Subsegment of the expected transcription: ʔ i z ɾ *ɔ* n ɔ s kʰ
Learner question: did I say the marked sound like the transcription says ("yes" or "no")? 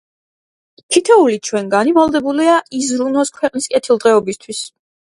no